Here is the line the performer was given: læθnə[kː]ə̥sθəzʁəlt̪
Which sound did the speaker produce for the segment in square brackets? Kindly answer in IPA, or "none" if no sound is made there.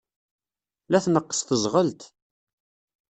qː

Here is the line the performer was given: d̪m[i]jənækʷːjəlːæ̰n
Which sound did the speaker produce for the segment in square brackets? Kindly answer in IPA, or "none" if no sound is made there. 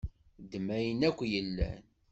æ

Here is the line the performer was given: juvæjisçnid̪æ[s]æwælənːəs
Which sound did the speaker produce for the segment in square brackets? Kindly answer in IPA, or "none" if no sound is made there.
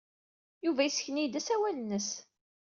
s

